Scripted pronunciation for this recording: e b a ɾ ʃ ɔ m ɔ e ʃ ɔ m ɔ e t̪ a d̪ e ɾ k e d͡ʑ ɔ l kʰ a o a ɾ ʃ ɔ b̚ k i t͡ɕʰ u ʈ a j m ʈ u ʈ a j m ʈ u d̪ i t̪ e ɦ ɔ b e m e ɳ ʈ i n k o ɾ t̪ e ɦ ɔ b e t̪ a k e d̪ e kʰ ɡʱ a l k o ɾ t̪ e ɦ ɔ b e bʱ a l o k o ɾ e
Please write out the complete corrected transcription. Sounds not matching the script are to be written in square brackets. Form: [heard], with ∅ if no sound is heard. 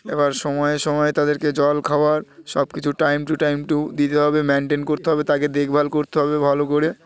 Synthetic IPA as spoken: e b a ɾ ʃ ɔ m ɔ e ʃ ɔ m ɔ e t̪ a d̪ e ɾ k e d͡ʑ ɔ l kʰ a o a ɾ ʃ ɔ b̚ k i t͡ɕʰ u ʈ a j m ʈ u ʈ a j m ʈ u d̪ i t̪ e ɦ ɔ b e m e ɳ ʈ [e] n k o ɾ t̪ e ɦ ɔ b e t̪ a k e d̪ e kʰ [bʱ] a l k o ɾ t̪ e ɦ ɔ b e bʱ a l o k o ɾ e

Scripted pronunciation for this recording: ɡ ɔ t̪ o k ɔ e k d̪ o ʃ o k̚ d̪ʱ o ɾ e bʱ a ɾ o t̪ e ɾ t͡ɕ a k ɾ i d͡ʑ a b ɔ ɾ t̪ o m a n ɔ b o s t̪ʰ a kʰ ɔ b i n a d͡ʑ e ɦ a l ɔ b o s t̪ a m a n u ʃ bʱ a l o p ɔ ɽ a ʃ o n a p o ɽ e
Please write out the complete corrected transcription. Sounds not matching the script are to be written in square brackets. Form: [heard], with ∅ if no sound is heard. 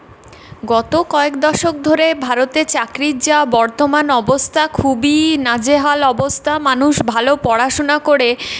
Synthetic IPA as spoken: ɡ ɔ t̪ o k ɔ e k d̪ [ɔ] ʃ o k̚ d̪ʱ o ɾ e bʱ a ɾ o t̪ e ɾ t͡ɕ a k ɾ i d͡ʑ a b ɔ ɾ t̪ o m a n ɔ b o s t̪ʰ a kʰ [u] b i n a d͡ʑ e ɦ a l ɔ b o s [t̪ʰ] a m a n u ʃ bʱ a l o p ɔ ɽ a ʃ o n a [k] o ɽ e

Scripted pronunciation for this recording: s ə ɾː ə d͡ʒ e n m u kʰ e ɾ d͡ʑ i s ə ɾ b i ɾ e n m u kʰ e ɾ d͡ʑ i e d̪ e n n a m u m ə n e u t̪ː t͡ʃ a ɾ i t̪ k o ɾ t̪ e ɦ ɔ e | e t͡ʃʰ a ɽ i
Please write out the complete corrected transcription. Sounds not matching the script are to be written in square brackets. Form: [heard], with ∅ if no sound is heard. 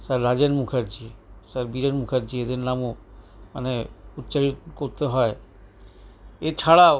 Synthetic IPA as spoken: s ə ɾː [a] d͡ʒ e n m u kʰ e ɾ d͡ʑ i s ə ɾ b i ɾ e n m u kʰ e ɾ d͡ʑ i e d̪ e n n a m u m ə n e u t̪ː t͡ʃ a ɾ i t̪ k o ɾ t̪ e ɦ ɔ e | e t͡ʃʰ a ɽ [a]

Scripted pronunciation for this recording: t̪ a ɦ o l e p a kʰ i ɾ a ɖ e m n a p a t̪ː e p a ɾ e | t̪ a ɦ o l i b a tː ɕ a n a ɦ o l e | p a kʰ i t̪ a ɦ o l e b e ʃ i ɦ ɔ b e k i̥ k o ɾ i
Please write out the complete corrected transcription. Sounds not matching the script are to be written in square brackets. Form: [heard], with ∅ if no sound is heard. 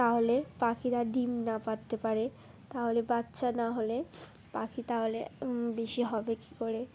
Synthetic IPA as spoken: t̪ a ɦ o l e p a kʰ i ɾ a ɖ [i] m n a p a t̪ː e p a ɾ e | t̪ a ɦ o l [e] b a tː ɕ a n a ɦ o l e | p a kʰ i t̪ a ɦ o l e b e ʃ i ɦ ɔ b e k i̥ k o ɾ [e]

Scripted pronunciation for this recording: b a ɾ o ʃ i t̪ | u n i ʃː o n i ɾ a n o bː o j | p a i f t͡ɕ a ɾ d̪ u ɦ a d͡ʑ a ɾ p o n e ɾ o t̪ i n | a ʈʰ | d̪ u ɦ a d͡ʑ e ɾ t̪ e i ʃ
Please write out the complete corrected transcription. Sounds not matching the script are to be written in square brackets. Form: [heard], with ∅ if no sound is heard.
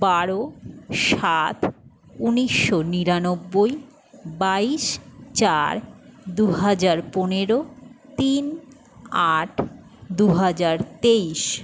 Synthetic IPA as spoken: b a ɾ o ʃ [a] t̪ | u n i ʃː o n i ɾ a n o bː o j | [b] a i [ʃ] t͡ɕ a ɾ d̪ u ɦ a d͡ʑ a ɾ p o n e ɾ o t̪ i n | a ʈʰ | d̪ u ɦ a d͡ʑ [a] ɾ t̪ e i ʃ

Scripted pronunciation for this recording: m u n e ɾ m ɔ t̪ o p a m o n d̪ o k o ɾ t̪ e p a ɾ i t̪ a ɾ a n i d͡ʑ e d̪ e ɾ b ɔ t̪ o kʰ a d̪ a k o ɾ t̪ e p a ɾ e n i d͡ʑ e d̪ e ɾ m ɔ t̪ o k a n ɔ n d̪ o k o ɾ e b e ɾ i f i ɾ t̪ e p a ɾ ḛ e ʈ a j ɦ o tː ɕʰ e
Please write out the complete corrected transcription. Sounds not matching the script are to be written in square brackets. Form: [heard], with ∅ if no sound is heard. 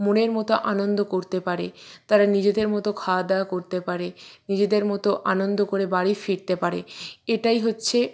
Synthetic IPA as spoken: m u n e ɾ m ɔ t̪ o [ʔ] a [n] o n d̪ o k o ɾ t̪ e p a ɾ [e] t̪ a ɾ a n i d͡ʑ e d̪ e ɾ [m] ɔ t̪ o kʰ a d̪ a k o ɾ t̪ e p a ɾ e n i d͡ʑ e d̪ e ɾ m ɔ t̪ o [ʔ] a n [o] n d̪ o k o ɾ e b [a] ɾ i f i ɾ t̪ e p a ɾ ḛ e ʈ a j ɦ o tː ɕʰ e

